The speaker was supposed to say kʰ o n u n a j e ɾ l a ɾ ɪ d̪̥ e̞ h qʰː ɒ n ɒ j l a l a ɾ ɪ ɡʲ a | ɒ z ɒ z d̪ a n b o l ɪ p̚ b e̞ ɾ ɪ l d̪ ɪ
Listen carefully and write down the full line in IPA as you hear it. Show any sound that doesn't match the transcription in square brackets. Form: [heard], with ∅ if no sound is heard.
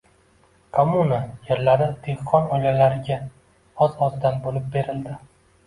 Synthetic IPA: kʰ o [m] u n a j e ɾ l a ɾ ɪ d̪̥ e̞ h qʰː ɒ n ɒ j l a l a ɾ ɪ ɡʲ a | ɒ z ɒ z d̪ a n b o l ɪ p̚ b e̞ ɾ ɪ l d̪ ɪ

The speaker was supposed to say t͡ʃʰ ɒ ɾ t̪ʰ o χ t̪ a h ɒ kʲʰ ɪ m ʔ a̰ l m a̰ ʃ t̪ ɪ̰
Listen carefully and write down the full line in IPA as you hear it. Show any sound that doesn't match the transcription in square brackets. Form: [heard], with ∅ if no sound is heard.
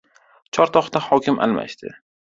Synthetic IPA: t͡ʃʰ ɒ ɾ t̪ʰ [ɒ] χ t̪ a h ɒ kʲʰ ɪ m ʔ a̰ l m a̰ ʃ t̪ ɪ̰

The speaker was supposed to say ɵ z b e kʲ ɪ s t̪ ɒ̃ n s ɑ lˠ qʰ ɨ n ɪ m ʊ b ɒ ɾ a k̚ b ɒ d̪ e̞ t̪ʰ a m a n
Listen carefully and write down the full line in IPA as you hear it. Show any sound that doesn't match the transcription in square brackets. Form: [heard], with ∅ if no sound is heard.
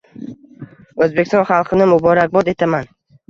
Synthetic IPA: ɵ z b e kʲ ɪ s t̪ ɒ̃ n [χ] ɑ lˠ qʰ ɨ n ɪ m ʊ b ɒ ɾ a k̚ b ɒ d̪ e̞ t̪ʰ a m a n

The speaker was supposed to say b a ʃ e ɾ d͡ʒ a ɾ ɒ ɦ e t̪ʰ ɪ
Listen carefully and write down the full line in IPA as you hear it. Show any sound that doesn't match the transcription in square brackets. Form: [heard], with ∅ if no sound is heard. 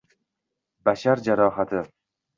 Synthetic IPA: b a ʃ [a] ɾ d͡ʒ a ɾ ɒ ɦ [a] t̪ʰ ɪ

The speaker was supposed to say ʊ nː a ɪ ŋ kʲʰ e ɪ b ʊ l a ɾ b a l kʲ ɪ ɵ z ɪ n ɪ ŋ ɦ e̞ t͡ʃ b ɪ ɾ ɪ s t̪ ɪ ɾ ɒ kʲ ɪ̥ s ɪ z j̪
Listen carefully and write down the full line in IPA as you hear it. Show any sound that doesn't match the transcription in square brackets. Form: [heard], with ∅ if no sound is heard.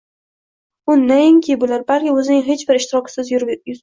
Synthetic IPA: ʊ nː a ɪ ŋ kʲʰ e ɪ b ʊ l a ɾ b a l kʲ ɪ ɵ z ɪ n ɪ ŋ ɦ e̞ t͡ʃ b ɪ ɾ ɪ [ʃ] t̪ ɪ ɾ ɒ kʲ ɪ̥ s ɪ z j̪

